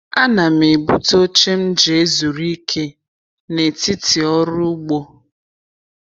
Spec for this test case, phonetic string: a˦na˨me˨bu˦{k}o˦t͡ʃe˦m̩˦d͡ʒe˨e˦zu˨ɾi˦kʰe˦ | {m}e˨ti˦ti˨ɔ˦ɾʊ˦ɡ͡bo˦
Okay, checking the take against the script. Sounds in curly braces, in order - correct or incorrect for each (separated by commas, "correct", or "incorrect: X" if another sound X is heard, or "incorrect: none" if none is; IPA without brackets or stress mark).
incorrect: t, incorrect: n